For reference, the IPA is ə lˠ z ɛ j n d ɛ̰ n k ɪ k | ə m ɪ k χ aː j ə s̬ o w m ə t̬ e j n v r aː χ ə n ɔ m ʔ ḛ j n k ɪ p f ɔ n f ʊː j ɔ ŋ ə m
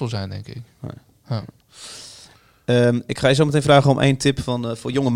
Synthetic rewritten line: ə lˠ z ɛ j n d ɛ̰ ŋ k ɪ k | ə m ɪ k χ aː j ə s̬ o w m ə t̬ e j n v r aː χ ə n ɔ m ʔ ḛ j n t ɪ p f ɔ n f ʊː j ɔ ŋ ə m